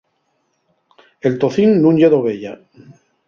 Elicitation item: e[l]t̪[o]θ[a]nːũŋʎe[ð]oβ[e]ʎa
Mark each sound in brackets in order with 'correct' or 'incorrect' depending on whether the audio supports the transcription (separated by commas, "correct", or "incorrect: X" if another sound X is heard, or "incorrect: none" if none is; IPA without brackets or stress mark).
correct, correct, incorrect: i, correct, correct